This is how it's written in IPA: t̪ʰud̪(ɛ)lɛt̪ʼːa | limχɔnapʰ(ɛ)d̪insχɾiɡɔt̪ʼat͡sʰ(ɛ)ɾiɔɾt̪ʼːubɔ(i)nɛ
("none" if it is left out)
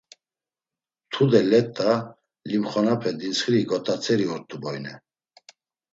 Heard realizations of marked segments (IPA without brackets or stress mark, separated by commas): ɛ, ɛ, ɛ, j